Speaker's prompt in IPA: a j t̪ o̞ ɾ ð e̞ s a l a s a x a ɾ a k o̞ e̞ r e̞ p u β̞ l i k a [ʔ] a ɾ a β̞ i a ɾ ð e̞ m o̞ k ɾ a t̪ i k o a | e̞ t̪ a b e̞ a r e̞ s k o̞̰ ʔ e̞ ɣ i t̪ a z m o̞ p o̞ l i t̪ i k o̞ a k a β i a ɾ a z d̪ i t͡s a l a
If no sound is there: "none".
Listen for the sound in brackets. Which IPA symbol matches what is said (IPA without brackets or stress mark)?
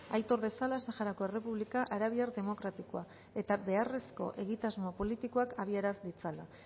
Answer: ʔ